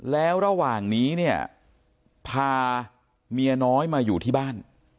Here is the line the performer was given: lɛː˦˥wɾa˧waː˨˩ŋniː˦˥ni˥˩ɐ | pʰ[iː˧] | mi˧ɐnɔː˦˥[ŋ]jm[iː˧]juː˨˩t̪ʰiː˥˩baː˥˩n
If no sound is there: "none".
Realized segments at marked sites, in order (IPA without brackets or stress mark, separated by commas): aː˧, none, aː˧